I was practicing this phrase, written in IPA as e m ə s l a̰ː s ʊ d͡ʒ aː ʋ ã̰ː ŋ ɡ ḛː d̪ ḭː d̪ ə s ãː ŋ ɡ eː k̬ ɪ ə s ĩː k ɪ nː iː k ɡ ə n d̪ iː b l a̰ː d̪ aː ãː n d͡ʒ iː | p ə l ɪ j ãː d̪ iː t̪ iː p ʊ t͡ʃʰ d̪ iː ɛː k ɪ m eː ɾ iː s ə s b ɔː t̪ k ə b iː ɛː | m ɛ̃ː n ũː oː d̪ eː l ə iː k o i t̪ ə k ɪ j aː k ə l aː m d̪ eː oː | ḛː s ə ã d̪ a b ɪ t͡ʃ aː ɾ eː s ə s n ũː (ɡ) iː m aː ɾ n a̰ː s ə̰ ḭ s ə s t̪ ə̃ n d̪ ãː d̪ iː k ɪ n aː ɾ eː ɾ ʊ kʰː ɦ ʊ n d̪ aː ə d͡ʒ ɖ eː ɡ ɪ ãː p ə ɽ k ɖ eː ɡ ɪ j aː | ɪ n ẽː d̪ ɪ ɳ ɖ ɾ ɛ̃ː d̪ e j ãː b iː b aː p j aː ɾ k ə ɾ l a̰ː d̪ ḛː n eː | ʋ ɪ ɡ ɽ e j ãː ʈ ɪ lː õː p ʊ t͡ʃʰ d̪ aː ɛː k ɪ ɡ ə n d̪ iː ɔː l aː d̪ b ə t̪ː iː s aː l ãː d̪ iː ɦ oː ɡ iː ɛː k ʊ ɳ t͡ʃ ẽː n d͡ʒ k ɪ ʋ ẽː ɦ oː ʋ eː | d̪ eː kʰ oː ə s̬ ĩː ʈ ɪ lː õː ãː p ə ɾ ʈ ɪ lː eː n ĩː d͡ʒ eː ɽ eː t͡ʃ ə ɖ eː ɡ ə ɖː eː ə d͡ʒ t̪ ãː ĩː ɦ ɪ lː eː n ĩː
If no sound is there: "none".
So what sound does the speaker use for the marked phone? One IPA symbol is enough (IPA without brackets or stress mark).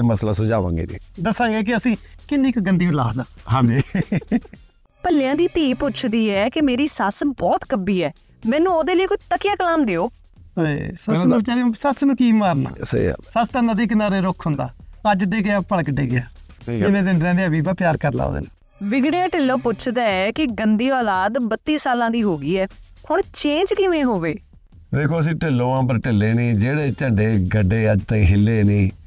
k